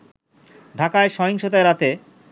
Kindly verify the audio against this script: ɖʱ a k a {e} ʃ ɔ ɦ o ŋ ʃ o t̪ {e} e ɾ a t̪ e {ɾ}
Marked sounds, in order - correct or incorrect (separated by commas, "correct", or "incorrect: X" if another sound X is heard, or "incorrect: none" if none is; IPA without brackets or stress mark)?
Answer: correct, incorrect: a, incorrect: none